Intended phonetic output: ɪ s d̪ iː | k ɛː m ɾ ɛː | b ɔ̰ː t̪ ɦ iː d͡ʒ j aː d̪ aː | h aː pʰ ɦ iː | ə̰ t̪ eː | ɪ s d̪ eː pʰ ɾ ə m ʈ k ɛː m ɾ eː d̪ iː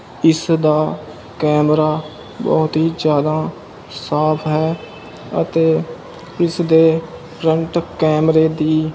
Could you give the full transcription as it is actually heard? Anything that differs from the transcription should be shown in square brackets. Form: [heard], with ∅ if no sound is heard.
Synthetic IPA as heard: ɪ s d̪ [aː] | k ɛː m ɾ [aː] | b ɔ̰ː t̪ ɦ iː d͡ʒ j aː d̪ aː | [s] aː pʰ ɦ [ɛː] | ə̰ t̪ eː | ɪ s d̪ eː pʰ ɾ ə [ɳ] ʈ k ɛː m ɾ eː d̪ iː